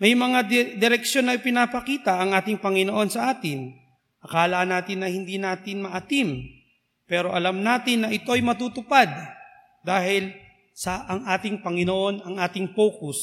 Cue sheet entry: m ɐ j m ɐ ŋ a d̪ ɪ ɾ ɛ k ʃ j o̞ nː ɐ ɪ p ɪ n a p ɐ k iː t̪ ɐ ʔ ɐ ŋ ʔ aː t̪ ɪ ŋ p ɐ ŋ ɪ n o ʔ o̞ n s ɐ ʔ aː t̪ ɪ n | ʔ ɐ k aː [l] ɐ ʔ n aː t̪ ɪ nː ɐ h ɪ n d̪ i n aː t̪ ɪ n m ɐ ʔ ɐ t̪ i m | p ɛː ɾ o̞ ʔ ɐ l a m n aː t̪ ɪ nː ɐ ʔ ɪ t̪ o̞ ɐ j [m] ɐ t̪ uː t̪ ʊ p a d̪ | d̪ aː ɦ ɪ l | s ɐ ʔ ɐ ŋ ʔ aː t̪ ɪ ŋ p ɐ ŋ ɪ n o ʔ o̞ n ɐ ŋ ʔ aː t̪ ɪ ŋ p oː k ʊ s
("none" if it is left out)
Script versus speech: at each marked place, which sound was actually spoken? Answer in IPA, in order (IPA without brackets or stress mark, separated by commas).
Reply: l, m